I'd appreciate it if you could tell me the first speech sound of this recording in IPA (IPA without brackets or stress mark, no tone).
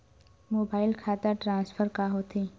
m